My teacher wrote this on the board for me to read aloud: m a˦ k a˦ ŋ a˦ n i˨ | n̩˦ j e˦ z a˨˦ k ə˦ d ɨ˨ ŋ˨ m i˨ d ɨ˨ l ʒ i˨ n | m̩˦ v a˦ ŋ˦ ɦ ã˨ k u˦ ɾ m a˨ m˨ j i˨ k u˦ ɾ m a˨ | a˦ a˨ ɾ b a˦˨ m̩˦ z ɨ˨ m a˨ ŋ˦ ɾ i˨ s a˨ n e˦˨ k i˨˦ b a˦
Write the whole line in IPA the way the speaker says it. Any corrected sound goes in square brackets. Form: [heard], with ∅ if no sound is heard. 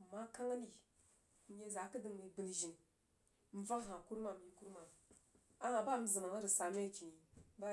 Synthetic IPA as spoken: m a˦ k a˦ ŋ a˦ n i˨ | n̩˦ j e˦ z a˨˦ k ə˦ d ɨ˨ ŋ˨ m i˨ [b] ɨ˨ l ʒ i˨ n | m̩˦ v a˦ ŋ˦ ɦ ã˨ k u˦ ɾ m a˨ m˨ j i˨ k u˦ ɾ m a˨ | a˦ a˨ [∅] b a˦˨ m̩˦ z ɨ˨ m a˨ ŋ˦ ɾ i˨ s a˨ [m] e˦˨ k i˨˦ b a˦